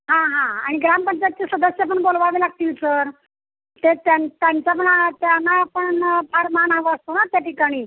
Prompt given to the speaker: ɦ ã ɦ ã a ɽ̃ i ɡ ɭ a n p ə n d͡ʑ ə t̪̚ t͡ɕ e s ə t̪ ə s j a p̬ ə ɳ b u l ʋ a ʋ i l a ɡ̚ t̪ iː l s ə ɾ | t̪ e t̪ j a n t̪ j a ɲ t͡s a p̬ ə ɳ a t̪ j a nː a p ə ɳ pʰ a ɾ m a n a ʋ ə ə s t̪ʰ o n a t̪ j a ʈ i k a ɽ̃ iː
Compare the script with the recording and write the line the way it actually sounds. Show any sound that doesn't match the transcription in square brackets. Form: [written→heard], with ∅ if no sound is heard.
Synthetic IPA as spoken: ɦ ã ɦ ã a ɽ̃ i ɡ [ɭ→ɾ] a [n→m] p ə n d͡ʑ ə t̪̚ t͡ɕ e s ə [t̪→d̪] ə s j a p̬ ə ɳ b [u→o] l ʋ a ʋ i l a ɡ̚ t̪ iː l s ə ɾ | t̪ e t̪ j a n t̪ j a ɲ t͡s a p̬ ə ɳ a t̪ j a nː a p ə ɳ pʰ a ɾ m a n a ʋ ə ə s [t̪ʰ→t̪] o n a t̪ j a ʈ i k a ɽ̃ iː